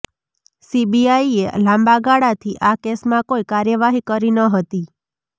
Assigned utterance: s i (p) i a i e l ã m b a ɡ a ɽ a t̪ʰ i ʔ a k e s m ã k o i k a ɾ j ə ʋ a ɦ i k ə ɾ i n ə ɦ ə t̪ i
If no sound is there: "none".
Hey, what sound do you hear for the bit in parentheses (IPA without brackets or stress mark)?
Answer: b